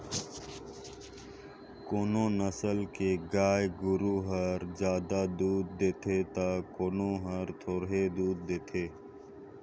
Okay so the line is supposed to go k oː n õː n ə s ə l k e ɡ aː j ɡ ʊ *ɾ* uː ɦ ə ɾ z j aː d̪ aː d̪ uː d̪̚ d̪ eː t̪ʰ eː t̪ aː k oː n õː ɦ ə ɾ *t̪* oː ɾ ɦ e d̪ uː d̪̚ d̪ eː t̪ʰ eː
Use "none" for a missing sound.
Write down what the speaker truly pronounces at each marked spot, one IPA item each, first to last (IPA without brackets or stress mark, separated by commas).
ɾ, t̪ʰ